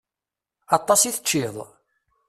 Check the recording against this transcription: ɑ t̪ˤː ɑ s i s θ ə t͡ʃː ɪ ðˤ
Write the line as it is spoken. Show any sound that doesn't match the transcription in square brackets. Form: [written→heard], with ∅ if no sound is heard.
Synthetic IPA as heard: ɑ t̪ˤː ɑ s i [s→∅] θ ə t͡ʃː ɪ ðˤ